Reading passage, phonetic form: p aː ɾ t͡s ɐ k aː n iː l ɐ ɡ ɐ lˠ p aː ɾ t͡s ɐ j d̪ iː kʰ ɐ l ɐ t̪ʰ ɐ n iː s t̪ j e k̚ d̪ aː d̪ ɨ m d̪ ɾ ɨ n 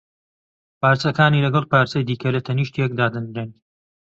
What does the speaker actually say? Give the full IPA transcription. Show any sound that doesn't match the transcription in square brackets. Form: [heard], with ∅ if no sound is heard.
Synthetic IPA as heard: p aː ɾ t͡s ɐ k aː n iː l ɐ ɡ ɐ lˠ p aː ɾ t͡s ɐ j d̪ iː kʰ ɐ l ɐ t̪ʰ ɐ n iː [ʃ] t̪ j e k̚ d̪ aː d̪ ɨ [n] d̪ ɾ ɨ n